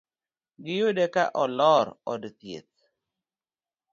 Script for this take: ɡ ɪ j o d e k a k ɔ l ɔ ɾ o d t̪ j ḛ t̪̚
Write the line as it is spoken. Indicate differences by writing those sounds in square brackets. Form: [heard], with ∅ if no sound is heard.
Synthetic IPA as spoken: ɡ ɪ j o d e k a [ʔ] ɔ l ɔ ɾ [ɔ] d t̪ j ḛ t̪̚